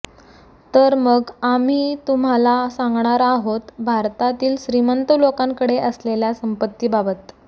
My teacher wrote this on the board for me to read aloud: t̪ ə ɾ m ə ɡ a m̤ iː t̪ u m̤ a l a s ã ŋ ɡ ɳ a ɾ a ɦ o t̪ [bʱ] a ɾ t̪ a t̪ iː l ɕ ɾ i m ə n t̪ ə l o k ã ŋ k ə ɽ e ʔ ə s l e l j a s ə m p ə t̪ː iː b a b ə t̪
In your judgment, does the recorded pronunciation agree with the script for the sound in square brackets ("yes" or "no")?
yes